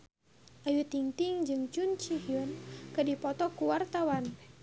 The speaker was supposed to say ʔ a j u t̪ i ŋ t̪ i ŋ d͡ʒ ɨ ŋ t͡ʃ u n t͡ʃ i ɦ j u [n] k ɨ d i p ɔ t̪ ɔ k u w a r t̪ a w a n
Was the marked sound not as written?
no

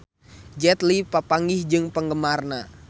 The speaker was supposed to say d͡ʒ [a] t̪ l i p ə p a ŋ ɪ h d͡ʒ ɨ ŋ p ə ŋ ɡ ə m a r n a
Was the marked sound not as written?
yes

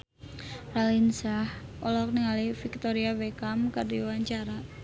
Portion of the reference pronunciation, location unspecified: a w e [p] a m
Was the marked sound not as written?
yes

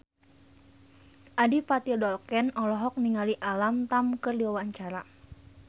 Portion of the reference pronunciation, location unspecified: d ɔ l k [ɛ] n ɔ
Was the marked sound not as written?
no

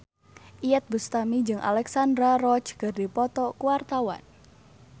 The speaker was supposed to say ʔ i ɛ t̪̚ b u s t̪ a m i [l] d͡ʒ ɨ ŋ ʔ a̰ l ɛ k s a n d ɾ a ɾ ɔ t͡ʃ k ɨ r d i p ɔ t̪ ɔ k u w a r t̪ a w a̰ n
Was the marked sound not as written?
yes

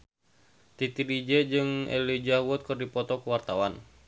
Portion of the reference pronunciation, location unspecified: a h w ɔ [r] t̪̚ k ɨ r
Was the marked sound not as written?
yes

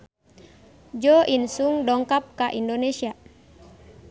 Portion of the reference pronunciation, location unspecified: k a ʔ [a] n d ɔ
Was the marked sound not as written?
yes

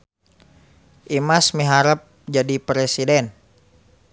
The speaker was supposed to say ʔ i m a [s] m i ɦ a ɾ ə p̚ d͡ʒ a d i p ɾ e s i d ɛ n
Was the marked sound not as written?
no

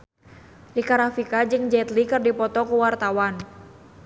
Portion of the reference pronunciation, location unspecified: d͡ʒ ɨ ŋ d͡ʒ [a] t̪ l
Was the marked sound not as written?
yes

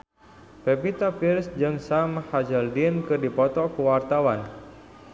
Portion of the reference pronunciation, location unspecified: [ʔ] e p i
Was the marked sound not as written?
yes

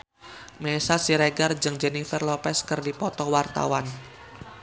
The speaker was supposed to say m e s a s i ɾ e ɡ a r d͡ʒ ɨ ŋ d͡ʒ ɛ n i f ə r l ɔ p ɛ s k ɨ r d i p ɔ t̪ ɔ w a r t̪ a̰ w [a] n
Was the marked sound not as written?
no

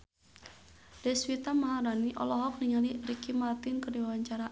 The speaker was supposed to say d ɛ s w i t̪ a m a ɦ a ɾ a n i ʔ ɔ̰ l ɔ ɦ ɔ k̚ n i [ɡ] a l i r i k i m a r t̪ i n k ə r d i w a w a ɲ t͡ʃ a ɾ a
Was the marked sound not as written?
yes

